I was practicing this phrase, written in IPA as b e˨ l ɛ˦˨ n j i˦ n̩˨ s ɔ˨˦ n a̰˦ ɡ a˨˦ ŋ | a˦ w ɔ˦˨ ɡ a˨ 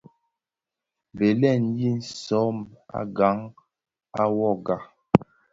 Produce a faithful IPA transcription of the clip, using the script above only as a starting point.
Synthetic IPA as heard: b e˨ l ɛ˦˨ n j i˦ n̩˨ s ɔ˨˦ m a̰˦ ɡ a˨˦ ŋ | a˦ w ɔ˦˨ ɡ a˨

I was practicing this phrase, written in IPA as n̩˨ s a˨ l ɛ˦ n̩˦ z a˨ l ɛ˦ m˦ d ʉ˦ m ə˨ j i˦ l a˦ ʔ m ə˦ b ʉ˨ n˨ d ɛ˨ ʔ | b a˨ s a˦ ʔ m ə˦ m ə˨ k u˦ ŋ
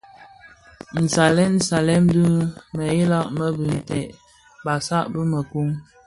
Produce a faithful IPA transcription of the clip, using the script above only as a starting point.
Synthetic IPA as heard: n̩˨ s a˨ l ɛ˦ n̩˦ s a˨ l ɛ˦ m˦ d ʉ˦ m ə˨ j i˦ l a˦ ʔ m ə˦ b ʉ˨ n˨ t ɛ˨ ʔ | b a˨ s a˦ ʔ b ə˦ m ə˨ k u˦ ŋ

